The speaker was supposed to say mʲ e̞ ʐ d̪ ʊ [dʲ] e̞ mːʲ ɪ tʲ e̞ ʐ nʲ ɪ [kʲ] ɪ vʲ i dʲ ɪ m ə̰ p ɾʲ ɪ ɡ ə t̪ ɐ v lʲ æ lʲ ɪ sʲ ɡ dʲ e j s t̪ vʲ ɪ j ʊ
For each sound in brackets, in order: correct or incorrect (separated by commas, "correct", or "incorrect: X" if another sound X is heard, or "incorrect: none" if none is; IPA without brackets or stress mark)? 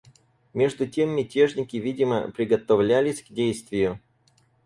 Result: incorrect: tʲ, correct